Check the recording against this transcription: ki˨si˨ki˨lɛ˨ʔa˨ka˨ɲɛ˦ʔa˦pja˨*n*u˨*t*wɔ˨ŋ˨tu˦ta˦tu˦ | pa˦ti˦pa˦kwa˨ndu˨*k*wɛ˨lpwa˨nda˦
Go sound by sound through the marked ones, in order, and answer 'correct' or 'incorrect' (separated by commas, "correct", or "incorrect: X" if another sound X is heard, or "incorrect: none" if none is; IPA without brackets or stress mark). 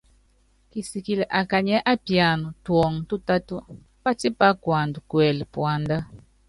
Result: correct, correct, correct